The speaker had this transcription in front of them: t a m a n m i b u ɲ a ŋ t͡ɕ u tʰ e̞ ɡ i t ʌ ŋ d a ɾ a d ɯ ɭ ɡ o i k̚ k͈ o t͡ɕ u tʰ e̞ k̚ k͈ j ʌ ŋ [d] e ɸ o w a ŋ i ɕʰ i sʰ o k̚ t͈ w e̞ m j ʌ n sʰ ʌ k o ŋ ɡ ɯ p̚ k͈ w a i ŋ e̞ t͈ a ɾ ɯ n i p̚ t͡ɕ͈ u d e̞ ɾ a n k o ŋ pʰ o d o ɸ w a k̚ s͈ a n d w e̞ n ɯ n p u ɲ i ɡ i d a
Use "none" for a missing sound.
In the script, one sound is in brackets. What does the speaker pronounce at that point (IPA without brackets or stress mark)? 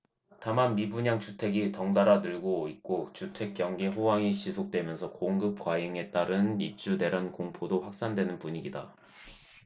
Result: ɡ